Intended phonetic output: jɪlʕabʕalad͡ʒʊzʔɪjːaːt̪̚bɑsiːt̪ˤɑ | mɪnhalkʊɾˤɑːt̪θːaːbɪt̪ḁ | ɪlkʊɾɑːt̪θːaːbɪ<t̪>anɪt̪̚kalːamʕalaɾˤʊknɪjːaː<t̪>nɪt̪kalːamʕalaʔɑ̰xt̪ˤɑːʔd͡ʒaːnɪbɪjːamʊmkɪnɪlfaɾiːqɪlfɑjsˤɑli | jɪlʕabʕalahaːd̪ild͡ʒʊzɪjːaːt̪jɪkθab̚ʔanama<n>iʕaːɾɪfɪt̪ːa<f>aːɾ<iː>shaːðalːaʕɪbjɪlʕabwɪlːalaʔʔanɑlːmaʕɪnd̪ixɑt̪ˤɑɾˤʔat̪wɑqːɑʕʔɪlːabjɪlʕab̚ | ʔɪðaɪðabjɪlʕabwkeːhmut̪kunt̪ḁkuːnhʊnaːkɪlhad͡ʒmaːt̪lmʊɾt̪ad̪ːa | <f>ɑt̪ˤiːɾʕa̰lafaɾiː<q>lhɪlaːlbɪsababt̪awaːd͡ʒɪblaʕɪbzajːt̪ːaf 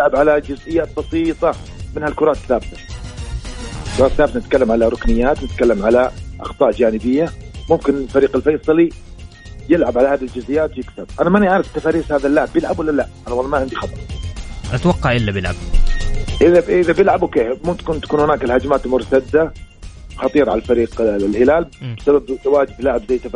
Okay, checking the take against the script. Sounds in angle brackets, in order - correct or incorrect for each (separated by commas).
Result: correct, correct, correct, correct, correct, incorrect, correct